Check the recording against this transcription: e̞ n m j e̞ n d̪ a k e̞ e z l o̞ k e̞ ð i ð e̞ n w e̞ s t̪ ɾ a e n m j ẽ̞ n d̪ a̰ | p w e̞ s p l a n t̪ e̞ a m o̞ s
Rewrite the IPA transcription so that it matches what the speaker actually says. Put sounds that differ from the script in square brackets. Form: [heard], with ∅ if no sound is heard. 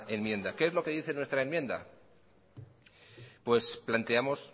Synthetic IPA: e̞ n m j e̞ n d̪ a k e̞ e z l o̞ k e̞ ð i [θ] e̞ n w e̞ s t̪ ɾ a e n m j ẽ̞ n d̪ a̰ | p w e̞ s p l a n t̪ e̞ a m o̞ s